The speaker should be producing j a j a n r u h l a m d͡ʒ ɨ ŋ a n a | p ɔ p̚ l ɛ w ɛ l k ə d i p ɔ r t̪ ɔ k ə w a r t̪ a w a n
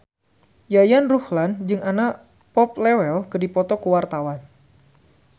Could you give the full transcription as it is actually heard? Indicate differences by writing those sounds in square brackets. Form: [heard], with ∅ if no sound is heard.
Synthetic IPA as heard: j a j a n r u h l a [n] d͡ʒ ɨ ŋ a n a | p ɔ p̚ l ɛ w ɛ l k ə d i p ɔ [∅] t̪ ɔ k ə w a r t̪ a w a n